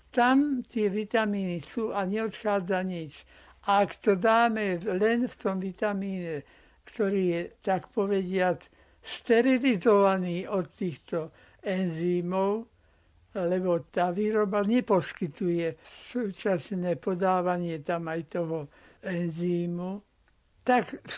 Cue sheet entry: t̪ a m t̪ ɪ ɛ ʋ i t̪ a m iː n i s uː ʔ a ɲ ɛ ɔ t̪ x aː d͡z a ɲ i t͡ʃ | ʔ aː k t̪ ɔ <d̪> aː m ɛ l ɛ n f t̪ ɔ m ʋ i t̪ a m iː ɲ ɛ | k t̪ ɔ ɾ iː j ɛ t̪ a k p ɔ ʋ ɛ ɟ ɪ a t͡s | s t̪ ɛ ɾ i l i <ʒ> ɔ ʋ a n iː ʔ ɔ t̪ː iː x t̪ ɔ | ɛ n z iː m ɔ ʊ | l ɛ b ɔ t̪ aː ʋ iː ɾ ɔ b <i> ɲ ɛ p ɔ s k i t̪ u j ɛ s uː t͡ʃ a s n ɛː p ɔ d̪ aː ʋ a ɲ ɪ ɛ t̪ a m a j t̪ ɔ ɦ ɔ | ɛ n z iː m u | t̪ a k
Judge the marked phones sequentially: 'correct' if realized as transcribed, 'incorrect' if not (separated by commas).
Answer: correct, incorrect, incorrect